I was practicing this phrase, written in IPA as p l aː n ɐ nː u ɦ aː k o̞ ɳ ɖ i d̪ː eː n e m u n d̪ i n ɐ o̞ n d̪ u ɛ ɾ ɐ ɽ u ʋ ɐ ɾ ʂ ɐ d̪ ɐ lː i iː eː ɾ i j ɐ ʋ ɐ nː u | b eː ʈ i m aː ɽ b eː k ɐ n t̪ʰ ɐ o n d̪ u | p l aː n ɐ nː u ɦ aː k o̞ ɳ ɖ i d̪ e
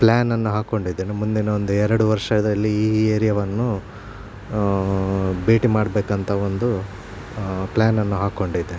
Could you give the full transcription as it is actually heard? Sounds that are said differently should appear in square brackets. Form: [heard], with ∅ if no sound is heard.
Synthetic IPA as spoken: p l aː n ɐ nː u ɦ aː k o̞ ɳ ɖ i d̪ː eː n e m u n d̪ i n ɐ o̞ n d̪ u ɛ ɾ ɐ ɽ u ʋ ɐ ɾ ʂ ɐ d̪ ɐ lː i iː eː ɾ i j ɐ ʋ ɐ nː u | b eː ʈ i m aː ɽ b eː k ɐ n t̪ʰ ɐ o n d̪ u | p l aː n ɐ nː u ɦ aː k o̞ ɳ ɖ i d̪ e